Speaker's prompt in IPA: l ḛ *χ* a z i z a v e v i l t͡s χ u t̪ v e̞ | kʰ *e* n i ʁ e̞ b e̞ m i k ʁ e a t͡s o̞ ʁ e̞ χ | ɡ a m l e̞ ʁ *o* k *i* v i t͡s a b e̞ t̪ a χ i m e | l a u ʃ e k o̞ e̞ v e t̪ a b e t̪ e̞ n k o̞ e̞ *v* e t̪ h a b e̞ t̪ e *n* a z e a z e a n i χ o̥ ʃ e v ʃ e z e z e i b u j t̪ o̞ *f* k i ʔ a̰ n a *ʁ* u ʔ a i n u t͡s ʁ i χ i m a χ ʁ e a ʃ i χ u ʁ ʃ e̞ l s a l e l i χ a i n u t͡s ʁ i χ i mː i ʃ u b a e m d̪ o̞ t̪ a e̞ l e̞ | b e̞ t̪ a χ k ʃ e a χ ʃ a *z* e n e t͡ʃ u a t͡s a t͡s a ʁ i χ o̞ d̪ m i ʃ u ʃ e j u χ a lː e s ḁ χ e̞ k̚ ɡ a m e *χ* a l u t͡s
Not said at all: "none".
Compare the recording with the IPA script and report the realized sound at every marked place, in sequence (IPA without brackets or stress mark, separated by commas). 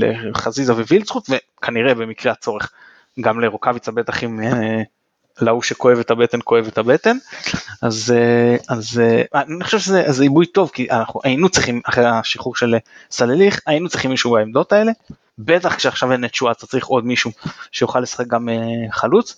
χ, a, o, a, v, n, v, χ, v, χ